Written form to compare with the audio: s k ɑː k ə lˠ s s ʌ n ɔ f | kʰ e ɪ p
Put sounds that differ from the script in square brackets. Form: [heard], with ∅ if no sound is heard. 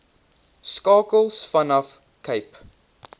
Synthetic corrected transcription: s k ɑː k ə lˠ s [f] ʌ n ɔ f | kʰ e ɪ p